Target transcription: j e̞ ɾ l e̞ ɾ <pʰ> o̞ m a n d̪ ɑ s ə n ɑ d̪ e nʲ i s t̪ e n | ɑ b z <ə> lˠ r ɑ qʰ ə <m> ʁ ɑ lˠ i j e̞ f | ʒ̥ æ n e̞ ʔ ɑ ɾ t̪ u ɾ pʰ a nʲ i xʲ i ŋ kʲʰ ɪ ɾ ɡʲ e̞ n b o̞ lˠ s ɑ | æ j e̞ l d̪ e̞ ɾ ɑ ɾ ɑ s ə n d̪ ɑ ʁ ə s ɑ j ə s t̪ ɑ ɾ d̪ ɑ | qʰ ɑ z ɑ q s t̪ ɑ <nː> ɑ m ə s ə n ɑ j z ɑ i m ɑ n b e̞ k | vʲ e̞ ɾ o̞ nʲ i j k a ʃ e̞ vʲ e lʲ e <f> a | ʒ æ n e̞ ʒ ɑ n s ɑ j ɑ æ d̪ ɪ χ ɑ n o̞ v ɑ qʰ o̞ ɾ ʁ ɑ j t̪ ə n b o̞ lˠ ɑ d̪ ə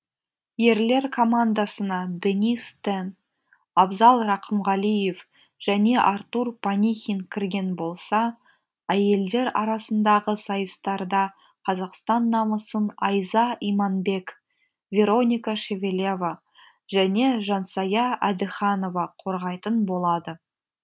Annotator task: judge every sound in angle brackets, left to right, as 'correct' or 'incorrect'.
incorrect: kʰ, incorrect: ɑ, correct, correct, incorrect: v

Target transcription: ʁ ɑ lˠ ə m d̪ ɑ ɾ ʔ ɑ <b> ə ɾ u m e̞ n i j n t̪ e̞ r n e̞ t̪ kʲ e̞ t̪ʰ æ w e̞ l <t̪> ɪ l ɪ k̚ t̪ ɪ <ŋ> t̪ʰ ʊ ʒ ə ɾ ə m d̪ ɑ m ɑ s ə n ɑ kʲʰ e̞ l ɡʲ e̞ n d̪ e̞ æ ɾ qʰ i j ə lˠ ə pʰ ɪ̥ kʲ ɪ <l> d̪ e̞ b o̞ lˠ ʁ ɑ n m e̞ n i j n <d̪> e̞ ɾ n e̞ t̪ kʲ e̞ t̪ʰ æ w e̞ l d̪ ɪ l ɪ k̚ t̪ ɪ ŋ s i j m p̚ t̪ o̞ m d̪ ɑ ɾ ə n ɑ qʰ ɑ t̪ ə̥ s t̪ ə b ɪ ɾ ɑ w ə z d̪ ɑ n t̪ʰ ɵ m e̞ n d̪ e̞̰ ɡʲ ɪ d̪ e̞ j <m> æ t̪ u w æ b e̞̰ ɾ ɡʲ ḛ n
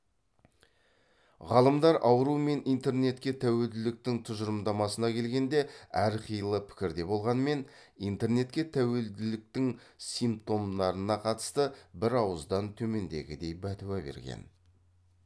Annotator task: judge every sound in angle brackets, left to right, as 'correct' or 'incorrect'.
incorrect: w, incorrect: d̪, correct, incorrect: ɾ, incorrect: t̪, incorrect: b

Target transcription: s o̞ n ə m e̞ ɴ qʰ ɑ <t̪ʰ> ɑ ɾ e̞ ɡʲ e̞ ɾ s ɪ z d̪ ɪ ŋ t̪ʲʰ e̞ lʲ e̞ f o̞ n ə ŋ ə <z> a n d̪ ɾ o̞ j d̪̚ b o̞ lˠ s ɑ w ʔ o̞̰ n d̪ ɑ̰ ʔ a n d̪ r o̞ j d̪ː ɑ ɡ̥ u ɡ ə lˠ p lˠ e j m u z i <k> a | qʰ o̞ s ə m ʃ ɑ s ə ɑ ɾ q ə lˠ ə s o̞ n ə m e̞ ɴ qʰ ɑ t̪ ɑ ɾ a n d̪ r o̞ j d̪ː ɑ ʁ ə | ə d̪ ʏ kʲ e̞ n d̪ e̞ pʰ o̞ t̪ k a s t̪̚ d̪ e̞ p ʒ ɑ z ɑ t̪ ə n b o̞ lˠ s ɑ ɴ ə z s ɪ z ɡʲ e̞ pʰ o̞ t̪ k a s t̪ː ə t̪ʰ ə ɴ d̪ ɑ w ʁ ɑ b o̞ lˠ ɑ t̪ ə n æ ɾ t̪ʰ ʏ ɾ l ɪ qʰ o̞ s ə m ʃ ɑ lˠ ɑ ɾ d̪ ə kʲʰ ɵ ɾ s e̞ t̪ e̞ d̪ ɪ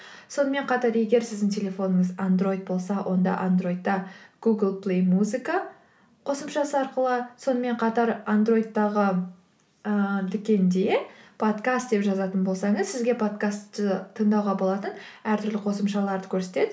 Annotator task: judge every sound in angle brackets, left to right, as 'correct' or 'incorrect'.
incorrect: t̪, correct, correct

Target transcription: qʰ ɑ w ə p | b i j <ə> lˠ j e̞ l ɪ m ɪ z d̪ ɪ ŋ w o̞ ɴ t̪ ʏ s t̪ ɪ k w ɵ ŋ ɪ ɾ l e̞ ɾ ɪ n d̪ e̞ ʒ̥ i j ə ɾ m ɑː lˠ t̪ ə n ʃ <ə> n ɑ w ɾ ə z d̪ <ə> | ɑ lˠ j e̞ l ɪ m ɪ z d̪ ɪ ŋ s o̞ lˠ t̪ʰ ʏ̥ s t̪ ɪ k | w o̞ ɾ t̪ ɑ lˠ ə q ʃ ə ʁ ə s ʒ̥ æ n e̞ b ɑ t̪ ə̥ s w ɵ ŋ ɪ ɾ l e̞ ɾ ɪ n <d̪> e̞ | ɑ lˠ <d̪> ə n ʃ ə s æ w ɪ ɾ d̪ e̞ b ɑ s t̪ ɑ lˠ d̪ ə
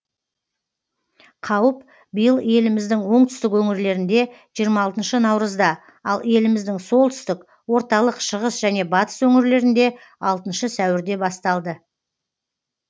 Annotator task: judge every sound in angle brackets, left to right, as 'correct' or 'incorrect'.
correct, correct, incorrect: ɑ, correct, incorrect: t̪

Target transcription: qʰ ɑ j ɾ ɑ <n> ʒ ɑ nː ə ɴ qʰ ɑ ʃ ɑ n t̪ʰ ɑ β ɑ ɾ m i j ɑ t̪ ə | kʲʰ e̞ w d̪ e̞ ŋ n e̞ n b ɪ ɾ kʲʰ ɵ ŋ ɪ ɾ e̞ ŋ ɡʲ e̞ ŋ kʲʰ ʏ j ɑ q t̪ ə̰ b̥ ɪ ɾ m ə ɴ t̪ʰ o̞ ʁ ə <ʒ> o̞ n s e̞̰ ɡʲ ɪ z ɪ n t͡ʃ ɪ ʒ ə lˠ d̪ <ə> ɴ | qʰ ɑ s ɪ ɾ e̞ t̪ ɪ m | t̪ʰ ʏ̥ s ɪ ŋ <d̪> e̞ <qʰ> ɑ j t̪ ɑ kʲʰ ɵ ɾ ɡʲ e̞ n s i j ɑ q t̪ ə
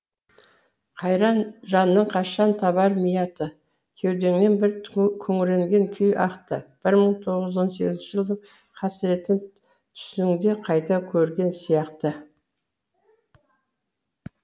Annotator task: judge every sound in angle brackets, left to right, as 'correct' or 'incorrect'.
correct, incorrect: z, correct, correct, correct

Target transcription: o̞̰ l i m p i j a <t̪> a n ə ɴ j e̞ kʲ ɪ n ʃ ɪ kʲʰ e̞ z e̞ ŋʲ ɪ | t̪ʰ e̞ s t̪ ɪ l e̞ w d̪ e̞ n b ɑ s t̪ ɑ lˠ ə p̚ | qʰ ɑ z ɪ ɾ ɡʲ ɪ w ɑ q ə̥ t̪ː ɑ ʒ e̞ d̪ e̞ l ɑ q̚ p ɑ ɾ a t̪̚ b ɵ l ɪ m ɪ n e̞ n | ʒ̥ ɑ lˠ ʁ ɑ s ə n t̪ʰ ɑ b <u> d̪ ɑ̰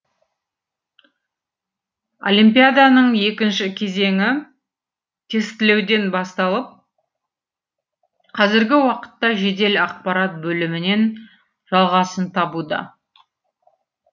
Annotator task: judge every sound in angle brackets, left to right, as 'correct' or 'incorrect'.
incorrect: d̪, correct

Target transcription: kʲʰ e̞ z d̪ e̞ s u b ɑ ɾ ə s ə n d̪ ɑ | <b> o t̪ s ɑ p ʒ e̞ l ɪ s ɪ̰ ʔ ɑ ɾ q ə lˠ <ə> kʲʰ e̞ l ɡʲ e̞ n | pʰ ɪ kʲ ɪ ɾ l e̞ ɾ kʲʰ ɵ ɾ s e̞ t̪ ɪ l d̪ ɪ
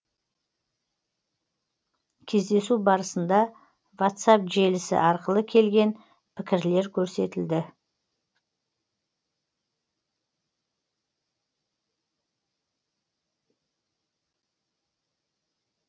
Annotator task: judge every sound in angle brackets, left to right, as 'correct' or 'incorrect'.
incorrect: v, correct

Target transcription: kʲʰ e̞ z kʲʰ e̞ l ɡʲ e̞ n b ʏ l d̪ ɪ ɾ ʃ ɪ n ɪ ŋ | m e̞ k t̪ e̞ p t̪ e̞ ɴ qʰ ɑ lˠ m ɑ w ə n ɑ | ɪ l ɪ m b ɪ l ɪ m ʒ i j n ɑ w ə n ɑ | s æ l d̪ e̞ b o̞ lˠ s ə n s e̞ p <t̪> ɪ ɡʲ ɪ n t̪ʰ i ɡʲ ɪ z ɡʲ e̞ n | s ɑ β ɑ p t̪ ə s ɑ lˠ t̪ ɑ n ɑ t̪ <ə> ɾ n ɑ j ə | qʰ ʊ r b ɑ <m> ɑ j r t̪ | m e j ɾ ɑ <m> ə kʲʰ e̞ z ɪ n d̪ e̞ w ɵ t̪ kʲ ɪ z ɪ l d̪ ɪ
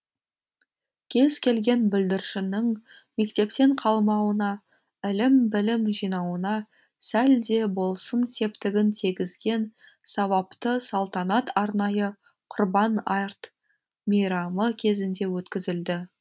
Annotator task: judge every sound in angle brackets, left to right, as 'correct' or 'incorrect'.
correct, incorrect: ɑ, incorrect: n, correct

